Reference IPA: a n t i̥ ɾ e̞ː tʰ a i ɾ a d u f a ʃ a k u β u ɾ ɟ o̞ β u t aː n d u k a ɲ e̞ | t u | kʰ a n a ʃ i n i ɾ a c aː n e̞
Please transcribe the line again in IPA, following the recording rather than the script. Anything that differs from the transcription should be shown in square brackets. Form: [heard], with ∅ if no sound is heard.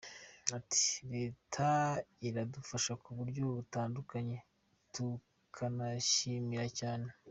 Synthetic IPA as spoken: a [∅] t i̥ ɾ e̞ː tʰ a i ɾ a d u f a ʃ a k u β u ɾ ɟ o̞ β u t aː n d u k a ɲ e̞ | t u | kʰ a n a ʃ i [m] i ɾ a c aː n e̞